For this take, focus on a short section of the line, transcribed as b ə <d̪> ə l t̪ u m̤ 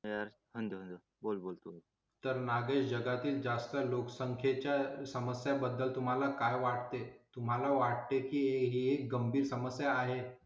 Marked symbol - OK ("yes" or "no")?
no